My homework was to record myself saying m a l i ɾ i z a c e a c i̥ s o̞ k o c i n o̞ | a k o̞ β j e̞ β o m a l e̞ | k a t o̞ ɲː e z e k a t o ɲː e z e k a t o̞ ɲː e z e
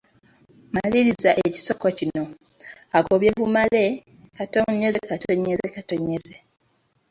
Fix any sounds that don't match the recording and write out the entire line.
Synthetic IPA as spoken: m a l i ɾ i z a ʔ e e c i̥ s o̞ k o c i n o̞ | a k o̞ β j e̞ β u m a l e̞ | k a t o̞ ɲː e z e k a t o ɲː e z e k a t o̞ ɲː e z e